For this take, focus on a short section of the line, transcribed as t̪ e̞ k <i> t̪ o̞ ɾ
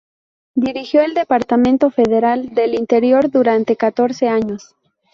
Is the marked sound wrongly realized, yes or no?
yes